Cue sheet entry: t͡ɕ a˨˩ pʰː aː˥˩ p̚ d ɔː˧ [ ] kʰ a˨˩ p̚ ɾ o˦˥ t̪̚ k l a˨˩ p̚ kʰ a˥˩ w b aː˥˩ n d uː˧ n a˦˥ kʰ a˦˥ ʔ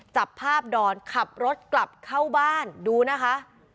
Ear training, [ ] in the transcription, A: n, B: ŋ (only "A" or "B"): A